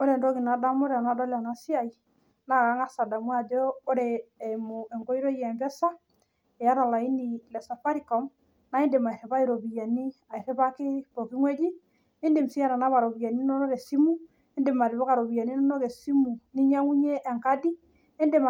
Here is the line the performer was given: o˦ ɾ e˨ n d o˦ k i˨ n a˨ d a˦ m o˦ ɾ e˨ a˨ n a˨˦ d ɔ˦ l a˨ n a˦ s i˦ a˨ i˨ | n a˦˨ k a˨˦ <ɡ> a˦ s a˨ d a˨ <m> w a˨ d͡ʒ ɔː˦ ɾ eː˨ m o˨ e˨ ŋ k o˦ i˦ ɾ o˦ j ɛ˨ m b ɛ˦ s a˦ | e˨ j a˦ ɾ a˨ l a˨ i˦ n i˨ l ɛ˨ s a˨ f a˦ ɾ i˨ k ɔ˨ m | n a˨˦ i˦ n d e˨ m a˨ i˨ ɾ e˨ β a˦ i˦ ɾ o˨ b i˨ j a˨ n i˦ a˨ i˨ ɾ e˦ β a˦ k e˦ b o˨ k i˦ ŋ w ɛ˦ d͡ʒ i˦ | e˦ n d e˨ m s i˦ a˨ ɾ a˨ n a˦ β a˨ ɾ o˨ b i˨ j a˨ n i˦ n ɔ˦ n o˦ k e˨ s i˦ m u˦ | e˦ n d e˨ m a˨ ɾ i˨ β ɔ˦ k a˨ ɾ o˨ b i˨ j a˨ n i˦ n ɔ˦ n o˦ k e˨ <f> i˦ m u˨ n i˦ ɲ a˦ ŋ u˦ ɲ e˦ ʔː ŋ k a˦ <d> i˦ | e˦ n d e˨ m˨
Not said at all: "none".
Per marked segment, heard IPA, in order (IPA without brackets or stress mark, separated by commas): ŋ, m, s, d